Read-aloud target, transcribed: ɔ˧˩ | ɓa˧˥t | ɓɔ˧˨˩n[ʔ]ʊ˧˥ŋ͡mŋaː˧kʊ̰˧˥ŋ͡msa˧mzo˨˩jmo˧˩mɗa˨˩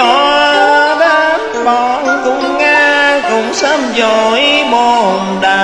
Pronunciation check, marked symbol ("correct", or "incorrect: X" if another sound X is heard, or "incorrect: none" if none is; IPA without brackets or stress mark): incorrect: k